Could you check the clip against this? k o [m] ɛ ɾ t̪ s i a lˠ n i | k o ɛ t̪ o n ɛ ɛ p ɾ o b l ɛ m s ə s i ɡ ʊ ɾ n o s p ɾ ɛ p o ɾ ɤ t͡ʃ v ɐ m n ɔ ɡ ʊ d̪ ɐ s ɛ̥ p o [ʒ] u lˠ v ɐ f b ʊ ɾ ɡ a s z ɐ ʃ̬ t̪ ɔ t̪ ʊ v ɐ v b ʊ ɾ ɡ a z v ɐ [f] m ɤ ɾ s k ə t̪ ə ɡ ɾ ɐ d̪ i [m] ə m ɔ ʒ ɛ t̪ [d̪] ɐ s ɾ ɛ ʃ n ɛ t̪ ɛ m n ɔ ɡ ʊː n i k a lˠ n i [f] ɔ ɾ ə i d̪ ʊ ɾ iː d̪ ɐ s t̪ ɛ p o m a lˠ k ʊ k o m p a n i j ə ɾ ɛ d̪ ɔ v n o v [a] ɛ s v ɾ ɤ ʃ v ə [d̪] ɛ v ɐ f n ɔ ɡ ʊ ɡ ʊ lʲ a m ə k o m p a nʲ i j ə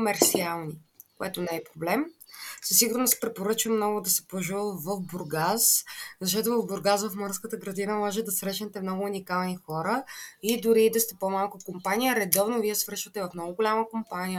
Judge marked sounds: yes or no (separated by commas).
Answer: yes, yes, yes, no, yes, no, no, no